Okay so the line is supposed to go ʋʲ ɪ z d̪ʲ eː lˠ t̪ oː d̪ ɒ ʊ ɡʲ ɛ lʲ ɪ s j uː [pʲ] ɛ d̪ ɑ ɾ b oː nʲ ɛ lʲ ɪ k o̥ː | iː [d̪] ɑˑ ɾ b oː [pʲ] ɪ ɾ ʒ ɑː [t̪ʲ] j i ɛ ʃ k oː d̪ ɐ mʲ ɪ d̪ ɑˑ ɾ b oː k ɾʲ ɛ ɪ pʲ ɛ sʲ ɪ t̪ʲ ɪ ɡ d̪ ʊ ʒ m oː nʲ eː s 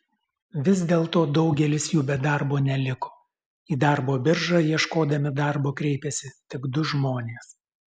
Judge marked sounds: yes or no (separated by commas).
no, yes, no, no